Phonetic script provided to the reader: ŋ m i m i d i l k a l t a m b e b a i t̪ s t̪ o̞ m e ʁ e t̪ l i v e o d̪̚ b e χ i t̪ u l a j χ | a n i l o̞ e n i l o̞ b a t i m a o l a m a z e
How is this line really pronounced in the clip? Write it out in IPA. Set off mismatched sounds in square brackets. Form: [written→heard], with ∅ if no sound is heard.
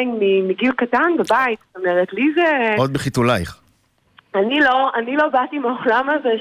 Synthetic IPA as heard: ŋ m i m i [d→ɡ] i l k a [l→∅] t a [m→n] b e b a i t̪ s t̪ o̞ m e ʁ e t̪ l i [v→z] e o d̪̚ b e χ i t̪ u l a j χ | a n i l o̞ [e→a] n i l o̞ b a t i m a o l a m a z e